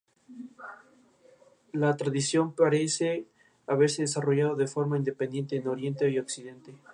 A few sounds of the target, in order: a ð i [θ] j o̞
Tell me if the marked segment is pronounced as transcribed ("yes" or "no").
no